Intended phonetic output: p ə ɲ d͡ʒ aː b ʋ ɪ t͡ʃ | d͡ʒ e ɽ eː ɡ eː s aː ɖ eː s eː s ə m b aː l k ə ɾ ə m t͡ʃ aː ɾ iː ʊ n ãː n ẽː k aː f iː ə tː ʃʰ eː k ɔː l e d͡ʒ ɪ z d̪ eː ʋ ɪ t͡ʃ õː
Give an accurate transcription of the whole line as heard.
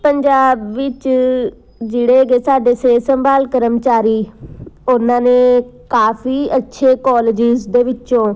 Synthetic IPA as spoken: p ə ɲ d͡ʒ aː b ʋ ɪ t͡ʃ | d͡ʒ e ɽ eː ɡ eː s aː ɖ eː s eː s ə m b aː l k ə ɾ ə m t͡ʃ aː ɾ iː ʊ n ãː n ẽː k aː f iː ə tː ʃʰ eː k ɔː l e d͡ʒ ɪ z d̪ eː ʋ ɪ t͡ʃ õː